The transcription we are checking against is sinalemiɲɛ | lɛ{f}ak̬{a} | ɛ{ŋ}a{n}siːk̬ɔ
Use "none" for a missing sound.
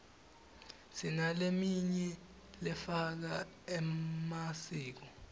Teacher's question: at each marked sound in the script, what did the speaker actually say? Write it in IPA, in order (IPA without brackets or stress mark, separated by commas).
f, a, m, none